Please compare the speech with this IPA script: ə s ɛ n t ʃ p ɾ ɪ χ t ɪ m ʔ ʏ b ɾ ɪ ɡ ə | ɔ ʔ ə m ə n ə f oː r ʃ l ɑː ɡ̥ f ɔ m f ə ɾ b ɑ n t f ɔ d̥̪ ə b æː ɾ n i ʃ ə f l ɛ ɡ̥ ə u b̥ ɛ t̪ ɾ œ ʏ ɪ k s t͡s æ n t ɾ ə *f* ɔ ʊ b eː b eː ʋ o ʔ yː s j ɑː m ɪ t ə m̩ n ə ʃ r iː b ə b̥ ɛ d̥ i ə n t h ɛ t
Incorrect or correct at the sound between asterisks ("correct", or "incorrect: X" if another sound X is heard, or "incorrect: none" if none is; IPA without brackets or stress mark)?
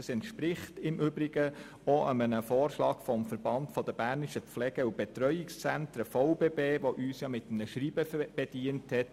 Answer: correct